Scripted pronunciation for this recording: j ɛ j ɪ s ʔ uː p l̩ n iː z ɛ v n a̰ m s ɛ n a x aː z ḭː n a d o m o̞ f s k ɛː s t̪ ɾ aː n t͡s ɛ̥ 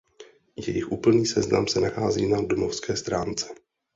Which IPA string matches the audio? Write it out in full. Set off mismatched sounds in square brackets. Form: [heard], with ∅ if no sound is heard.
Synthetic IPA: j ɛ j ɪ [x] ʔ uː p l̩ n iː [s] ɛ [z] n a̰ m s ɛ n a x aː z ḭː n a d o m o̞ f s k ɛː s t̪ ɾ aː n t͡s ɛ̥

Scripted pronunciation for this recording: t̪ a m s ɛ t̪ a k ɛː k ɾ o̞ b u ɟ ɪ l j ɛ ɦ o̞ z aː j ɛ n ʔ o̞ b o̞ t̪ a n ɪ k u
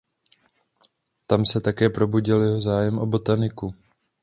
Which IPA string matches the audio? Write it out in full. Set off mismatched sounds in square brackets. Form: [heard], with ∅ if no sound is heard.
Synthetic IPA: t̪ a m s ɛ t̪ a k ɛː [p] ɾ o̞ b u ɟ ɪ l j ɛ ɦ o̞ z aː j ɛ [m] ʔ o̞ b o̞ t̪ a n ɪ k u

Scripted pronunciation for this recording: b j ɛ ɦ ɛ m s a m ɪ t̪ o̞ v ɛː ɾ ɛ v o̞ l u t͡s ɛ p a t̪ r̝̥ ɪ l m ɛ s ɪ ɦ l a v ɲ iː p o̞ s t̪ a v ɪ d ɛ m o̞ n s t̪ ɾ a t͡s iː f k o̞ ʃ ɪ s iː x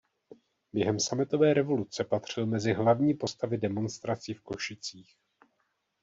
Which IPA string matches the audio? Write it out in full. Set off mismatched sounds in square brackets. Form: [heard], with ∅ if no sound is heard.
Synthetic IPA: b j ɛ ɦ ɛ m s a m ɪ t̪ o̞ v ɛː ɾ ɛ v o̞ l u t͡s ɛ p a t̪ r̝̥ ɪ l m ɛ [z] ɪ ɦ l a v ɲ iː p o̞ s t̪ a v ɪ d ɛ m o̞ n s t̪ ɾ a t͡s iː f k o̞ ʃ ɪ [t͡s] iː x

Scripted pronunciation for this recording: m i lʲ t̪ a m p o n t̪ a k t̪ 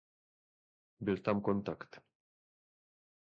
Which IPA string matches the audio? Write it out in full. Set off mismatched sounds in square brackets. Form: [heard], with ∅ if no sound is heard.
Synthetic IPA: [b] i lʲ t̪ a m [k] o n t̪ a k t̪

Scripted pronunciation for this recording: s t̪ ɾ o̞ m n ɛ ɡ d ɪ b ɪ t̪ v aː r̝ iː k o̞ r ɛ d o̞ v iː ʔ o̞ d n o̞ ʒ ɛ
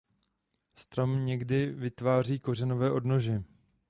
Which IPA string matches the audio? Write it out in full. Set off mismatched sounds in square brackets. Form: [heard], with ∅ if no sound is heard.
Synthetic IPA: s t̪ ɾ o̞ m [ɲ] ɛ ɡ d ɪ [v] ɪ t̪ v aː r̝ iː k o̞ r ɛ [n] o̞ v [ɛː] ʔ o̞ d n o̞ ʒ ɛ

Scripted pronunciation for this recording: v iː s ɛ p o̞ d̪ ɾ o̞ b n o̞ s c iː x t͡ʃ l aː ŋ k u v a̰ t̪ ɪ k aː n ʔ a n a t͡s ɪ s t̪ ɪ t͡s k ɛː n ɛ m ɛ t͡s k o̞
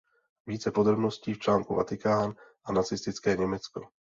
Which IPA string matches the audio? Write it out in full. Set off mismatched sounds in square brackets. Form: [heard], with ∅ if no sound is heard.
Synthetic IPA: v iː [t͡s] ɛ p o̞ d̪ ɾ o̞ b n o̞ s c iː [f] t͡ʃ l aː ŋ k u v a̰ t̪ ɪ k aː n ʔ a n a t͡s ɪ s t̪ ɪ t͡s k ɛː [ɲ] ɛ m ɛ t͡s k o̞

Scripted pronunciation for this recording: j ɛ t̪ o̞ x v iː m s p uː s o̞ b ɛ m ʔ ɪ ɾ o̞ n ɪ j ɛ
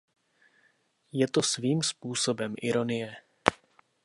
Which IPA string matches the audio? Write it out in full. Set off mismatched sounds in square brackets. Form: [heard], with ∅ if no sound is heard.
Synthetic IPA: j ɛ t̪ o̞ [s] v iː m s p uː s o̞ b ɛ m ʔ ɪ ɾ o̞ n ɪ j ɛ

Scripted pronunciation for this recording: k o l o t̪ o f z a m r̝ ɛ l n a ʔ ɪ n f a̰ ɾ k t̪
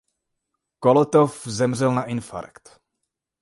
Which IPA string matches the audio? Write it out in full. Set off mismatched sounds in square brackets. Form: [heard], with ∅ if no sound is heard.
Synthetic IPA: k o l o t̪ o f z [ɛ] m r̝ ɛ l n a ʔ ɪ n f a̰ ɾ k t̪

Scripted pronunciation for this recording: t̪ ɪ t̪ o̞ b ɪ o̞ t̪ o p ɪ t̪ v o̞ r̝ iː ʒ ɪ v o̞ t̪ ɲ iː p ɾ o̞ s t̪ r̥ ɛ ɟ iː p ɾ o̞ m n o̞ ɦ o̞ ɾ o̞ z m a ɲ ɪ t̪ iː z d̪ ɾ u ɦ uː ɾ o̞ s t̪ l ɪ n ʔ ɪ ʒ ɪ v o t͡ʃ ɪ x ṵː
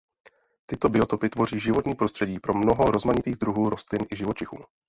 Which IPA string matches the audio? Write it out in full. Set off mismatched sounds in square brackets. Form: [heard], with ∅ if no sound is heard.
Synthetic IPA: t̪ ɪ t̪ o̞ b ɪ o̞ t̪ o p ɪ t̪ v o̞ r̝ iː ʒ ɪ v o̞ t̪ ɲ iː p ɾ o̞ s t̪ r̥ ɛ ɟ iː p ɾ o̞ m n o̞ ɦ o̞ ɾ o̞ z m a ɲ ɪ t̪ iː [ɣ] d̪ ɾ u ɦ uː ɾ o̞ s t̪ l ɪ n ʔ ɪ ʒ ɪ v o t͡ʃ ɪ x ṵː

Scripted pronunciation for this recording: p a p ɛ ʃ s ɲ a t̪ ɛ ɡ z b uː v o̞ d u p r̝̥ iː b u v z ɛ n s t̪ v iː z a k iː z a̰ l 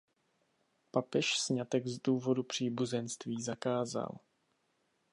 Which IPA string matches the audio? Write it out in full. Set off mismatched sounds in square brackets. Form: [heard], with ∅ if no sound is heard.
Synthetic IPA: p a p ɛ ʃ s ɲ a t̪ ɛ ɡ z [d] uː v o̞ d u p r̝̥ iː b u [∅] z ɛ n s t̪ v iː z a k [aː] z a̰ l

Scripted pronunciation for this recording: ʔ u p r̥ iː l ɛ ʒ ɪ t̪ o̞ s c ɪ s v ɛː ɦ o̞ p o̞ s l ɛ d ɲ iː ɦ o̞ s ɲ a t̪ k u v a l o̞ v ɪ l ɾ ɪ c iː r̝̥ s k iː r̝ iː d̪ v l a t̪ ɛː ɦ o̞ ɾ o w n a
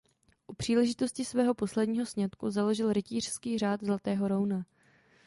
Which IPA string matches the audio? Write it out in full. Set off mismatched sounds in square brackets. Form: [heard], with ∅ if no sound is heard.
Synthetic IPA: ʔ u p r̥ iː l ɛ ʒ ɪ t̪ o̞ s c ɪ s v ɛː ɦ o̞ p o̞ s l ɛ d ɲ iː ɦ o̞ s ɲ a t̪ k u [z] a l o̞ [ʒ] ɪ l ɾ ɪ c iː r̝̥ s k iː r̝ [aː] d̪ [z] l a t̪ ɛː ɦ o̞ ɾ o w n a

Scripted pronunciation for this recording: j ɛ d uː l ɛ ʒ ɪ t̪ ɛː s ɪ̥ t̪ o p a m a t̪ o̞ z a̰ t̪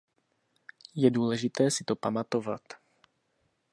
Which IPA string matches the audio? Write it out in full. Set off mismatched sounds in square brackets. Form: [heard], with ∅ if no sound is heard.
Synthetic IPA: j ɛ d uː l ɛ ʒ ɪ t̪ ɛː s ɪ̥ t̪ o p a m a t̪ o̞ [v] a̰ t̪

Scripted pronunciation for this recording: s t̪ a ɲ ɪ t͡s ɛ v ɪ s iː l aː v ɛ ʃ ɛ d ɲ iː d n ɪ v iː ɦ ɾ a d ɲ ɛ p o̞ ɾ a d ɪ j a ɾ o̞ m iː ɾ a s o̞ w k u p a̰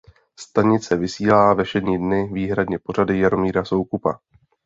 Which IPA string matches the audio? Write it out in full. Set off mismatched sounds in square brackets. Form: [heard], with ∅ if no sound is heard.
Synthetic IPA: s t̪ a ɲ ɪ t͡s ɛ v ɪ s iː l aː v ɛ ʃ ɛ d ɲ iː d n ɪ v iː ɦ ɾ a d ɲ ɛ p o̞ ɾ a d ɪ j a ɾ o̞ m iː ɾ a s o̞ w k u p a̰

